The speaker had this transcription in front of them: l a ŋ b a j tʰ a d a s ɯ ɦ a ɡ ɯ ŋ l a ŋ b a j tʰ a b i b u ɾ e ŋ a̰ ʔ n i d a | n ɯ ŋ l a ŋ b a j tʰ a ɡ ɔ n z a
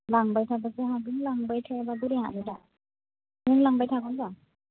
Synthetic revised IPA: l a ŋ b a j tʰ a b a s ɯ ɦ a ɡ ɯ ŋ l a ŋ b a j tʰ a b a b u ɾ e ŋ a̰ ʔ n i d a | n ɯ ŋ l a ŋ b a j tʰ a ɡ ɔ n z a